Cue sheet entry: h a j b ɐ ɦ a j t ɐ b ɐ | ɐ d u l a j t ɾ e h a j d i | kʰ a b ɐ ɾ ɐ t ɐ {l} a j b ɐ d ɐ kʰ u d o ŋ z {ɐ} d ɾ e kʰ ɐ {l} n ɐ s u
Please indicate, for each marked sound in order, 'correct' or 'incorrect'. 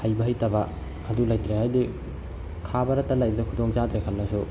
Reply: correct, incorrect: a, correct

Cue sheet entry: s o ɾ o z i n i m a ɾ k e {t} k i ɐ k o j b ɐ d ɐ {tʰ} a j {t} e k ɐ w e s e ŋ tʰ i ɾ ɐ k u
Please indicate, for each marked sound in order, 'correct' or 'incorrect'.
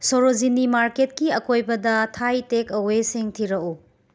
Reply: correct, correct, correct

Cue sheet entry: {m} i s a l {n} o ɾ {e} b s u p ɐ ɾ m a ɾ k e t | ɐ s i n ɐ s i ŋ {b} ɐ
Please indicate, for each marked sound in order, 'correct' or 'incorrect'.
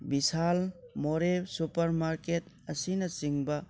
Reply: incorrect: b, incorrect: m, correct, correct

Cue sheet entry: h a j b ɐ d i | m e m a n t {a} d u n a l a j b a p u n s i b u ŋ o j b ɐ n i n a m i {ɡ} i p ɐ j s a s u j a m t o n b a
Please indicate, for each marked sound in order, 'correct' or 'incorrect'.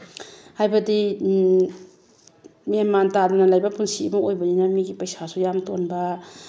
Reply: correct, correct

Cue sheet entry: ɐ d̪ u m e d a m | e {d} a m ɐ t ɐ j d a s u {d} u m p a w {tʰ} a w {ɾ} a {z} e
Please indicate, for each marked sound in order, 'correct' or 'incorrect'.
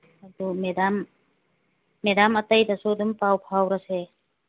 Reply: correct, correct, incorrect: pʰ, correct, incorrect: s

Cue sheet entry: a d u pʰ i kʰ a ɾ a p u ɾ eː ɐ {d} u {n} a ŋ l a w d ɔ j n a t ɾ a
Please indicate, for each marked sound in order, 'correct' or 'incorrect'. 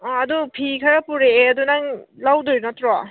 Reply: correct, correct

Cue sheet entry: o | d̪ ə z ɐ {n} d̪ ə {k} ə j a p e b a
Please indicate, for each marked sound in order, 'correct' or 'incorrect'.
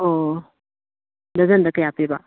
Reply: correct, correct

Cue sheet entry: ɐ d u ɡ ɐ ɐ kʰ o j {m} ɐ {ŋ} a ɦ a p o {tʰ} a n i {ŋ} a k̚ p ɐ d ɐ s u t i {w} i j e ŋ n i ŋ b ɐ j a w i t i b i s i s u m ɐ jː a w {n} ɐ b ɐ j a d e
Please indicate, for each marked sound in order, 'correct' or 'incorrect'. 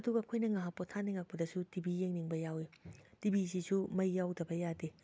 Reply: incorrect: n, correct, correct, correct, incorrect: b, incorrect: d

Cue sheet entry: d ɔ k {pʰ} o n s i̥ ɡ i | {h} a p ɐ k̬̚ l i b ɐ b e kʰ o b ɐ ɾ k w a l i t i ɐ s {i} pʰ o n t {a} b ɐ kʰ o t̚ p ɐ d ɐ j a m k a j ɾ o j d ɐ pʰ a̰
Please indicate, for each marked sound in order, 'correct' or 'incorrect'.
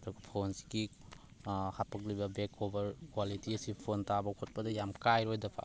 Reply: correct, correct, correct, correct

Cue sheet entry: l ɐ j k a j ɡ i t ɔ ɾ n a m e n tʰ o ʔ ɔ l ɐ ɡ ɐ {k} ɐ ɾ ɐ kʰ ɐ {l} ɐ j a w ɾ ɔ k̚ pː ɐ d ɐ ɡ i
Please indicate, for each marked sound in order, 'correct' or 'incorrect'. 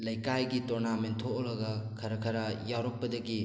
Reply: incorrect: kʰ, incorrect: ɾ

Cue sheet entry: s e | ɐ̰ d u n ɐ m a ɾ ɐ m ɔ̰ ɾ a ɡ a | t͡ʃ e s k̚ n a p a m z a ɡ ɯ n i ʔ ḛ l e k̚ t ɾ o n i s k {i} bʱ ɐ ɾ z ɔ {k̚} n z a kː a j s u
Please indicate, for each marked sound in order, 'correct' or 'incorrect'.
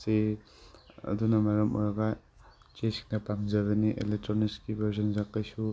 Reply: correct, incorrect: none

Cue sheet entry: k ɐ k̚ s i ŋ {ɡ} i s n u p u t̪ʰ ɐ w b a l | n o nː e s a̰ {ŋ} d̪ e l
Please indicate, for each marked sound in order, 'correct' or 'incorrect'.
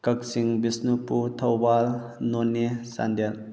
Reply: incorrect: b, incorrect: n

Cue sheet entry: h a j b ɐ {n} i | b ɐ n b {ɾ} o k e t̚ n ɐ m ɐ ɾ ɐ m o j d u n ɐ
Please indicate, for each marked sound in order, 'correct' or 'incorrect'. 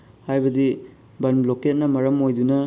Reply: incorrect: d, incorrect: l

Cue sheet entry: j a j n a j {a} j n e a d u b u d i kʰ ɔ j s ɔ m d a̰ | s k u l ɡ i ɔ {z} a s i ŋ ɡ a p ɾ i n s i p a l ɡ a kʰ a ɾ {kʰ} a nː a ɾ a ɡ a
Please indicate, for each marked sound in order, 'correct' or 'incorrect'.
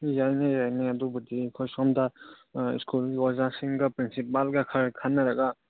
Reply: correct, correct, correct

